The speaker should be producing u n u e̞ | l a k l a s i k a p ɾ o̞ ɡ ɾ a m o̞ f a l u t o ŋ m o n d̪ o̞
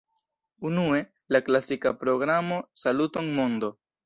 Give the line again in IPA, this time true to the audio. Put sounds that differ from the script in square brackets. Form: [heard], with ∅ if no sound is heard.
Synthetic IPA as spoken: u n u e̞ | l a k l a s i k a p ɾ o̞ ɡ ɾ a m o̞ [s] a l u t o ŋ m o n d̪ o̞